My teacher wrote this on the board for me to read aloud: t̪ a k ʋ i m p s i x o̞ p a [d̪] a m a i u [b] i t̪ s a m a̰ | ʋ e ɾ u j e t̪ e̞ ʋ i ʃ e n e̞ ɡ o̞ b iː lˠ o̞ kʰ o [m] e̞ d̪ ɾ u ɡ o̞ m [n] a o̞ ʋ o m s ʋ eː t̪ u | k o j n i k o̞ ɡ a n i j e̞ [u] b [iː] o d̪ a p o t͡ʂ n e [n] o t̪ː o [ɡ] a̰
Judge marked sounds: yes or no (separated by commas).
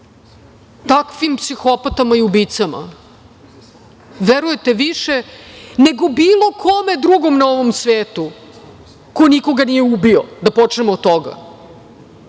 no, yes, yes, yes, yes, no, no, yes